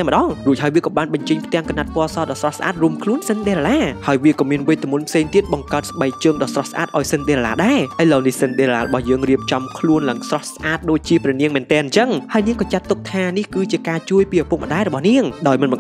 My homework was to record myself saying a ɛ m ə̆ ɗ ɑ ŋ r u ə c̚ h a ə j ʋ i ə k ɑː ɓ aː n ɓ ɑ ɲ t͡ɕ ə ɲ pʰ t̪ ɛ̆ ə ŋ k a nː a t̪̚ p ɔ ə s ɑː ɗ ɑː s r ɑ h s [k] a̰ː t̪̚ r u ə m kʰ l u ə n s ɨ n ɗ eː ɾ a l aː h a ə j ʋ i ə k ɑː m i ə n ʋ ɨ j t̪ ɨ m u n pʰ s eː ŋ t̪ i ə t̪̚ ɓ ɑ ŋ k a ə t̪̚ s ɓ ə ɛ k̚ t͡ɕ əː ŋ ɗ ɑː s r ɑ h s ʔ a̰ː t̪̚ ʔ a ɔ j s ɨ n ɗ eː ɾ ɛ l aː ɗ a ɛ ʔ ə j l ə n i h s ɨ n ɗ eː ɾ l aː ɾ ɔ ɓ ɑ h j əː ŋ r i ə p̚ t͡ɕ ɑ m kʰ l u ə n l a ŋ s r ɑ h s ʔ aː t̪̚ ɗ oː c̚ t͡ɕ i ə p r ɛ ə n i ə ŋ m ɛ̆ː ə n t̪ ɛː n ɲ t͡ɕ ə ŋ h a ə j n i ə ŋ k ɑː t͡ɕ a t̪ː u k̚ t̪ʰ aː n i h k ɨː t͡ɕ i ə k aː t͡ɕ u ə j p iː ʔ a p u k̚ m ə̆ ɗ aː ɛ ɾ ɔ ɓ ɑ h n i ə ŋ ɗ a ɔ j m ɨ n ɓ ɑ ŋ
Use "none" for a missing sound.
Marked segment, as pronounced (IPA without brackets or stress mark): ʔ